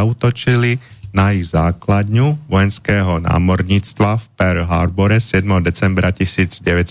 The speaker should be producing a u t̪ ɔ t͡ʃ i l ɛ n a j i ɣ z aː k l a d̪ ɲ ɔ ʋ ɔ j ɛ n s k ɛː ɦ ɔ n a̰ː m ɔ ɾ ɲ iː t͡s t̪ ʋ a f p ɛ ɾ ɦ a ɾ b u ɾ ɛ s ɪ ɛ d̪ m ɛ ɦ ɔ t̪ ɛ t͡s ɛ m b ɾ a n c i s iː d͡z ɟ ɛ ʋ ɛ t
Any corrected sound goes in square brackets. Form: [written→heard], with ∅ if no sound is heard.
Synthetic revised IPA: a u t̪ ɔ t͡ʃ i l [ɛ→i] n a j i ɣ z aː k l a d̪ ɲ [ɔ→u] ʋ ɔ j ɛ n s k ɛː ɦ ɔ n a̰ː m ɔ ɾ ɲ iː t͡s t̪ ʋ a f p ɛ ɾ ɦ a ɾ b [u→ɔ] ɾ ɛ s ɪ ɛ d̪ m ɛ ɦ ɔ [t̪→d̪] ɛ t͡s ɛ m b ɾ a [n→∅] c i s iː d͡z ɟ ɛ ʋ ɛ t